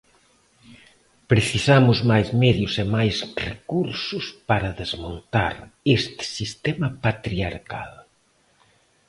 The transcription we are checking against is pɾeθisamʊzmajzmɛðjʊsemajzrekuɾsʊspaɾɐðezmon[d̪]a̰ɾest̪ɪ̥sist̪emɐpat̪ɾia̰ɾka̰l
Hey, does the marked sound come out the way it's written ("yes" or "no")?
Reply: no